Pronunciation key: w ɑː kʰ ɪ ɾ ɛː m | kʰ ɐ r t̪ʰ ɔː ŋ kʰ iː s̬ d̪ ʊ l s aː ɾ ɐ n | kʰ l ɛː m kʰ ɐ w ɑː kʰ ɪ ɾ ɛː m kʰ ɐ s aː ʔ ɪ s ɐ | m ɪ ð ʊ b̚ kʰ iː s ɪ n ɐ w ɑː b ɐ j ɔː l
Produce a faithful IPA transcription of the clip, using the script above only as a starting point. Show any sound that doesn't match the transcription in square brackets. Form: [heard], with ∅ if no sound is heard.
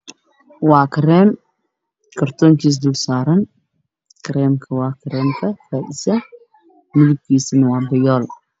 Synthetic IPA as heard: w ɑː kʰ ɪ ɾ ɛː m | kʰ ɐ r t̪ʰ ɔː ŋ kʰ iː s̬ d̪ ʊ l s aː ɾ ɐ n | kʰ [ɾ] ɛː m kʰ ɐ w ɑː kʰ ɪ ɾ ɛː m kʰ ɐ [f] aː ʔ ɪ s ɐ | m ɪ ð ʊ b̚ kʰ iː s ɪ n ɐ w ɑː b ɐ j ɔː l